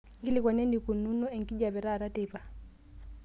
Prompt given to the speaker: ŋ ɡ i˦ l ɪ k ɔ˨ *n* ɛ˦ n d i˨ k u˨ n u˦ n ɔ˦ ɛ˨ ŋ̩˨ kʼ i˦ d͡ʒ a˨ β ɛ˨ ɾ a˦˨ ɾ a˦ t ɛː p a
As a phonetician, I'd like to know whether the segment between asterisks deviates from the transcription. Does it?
no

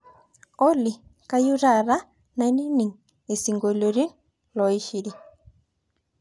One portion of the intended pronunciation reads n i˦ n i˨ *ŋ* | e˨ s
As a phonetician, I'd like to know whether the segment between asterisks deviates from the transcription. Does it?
no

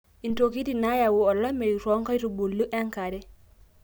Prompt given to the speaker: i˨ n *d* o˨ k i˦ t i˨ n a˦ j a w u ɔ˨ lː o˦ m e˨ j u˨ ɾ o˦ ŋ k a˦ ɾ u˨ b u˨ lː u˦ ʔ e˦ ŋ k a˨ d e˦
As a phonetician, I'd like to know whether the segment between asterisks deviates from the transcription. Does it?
yes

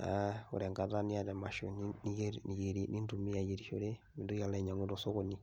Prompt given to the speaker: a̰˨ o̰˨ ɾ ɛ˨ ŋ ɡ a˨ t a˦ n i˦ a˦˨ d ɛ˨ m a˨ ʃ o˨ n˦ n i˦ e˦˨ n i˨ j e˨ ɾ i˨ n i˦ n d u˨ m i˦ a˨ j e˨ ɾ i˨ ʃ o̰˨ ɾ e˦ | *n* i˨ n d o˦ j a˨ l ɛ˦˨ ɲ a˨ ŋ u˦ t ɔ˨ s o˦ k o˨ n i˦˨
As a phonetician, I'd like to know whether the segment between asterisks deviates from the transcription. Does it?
yes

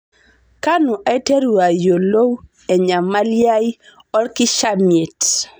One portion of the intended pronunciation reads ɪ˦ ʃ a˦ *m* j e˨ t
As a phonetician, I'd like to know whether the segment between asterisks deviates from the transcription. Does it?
no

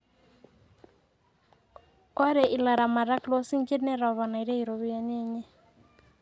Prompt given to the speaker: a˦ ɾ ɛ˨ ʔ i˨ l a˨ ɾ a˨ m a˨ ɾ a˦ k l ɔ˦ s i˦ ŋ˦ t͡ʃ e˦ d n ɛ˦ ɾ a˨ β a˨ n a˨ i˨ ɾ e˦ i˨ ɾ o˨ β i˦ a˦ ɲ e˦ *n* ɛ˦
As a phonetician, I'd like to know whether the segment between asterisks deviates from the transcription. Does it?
yes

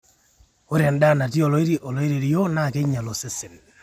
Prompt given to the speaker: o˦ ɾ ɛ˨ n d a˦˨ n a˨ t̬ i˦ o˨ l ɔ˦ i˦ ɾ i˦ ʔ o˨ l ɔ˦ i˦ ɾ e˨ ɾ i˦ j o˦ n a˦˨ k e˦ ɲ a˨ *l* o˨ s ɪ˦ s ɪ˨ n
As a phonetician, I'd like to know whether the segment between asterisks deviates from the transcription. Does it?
no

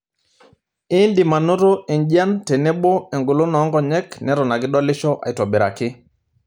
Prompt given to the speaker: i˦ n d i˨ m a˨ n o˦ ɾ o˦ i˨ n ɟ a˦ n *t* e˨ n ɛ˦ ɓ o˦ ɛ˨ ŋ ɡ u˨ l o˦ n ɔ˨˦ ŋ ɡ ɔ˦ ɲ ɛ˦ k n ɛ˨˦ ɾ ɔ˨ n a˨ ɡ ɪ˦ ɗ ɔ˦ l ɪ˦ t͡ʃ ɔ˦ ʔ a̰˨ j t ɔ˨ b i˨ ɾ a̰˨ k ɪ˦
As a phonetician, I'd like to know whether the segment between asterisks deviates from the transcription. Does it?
no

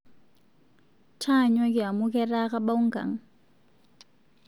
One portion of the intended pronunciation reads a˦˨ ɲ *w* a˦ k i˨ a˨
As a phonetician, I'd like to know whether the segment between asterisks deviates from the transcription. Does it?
no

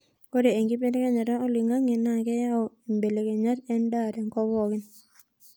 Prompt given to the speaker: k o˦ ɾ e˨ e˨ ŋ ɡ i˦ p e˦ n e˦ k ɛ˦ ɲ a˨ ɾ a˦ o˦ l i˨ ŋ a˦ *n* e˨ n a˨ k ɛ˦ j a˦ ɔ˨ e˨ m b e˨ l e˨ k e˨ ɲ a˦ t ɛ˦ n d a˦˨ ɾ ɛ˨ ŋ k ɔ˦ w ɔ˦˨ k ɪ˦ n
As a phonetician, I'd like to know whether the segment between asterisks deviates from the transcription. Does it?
yes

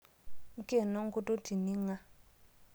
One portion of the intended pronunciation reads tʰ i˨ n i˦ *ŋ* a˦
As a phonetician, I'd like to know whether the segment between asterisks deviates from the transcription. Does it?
no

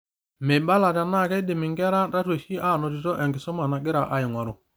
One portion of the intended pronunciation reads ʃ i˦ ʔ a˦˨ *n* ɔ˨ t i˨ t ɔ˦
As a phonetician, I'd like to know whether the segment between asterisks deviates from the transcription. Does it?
no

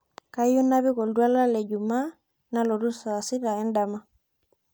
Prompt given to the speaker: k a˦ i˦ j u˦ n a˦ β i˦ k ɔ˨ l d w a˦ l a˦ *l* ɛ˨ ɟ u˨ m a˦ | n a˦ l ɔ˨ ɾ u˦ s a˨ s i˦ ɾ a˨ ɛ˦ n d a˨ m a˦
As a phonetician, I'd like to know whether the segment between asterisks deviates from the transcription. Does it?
no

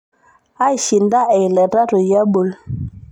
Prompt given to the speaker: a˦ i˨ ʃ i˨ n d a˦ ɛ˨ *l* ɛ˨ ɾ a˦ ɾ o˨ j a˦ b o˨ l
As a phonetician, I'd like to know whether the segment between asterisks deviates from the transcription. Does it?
no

